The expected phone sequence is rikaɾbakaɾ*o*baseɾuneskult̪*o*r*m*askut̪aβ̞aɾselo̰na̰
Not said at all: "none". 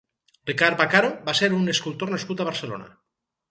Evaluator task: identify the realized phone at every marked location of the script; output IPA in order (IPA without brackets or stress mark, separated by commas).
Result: o, o, n